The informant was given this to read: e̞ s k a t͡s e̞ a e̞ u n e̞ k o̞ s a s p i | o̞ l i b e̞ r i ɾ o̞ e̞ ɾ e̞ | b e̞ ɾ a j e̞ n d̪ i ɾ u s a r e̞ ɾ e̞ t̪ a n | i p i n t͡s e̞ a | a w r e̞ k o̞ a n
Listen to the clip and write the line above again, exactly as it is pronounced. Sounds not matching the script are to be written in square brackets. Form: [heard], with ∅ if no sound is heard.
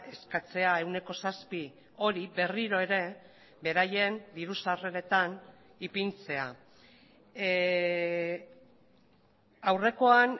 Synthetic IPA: e̞ s k a t͡s e̞ a e̞ [w] n e̞ k o̞ s a s p i | o̞ [ɾ] i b e̞ r i ɾ o̞ e̞ ɾ e̞ | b e̞ ɾ a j e̞ n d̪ i ɾ u s a r e̞ ɾ e̞ t̪ a n | i p i n t͡s e̞ a | a w r e̞ k o̞ a n